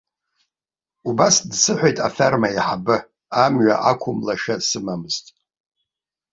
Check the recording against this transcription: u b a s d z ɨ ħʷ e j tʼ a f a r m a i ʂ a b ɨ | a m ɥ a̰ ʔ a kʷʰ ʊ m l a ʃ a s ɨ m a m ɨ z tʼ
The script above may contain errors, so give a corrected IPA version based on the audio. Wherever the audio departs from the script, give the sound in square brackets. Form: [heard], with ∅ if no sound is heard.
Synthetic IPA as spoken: u b a s d [s] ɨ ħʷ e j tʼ a f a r m a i [ħ] a b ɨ | a m ɥ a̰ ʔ a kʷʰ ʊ m l a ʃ a s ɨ m a m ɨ z tʼ